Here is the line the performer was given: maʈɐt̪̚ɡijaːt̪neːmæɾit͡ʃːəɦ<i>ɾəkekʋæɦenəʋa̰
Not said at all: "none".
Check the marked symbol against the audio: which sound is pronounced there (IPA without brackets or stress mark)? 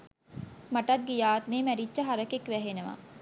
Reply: a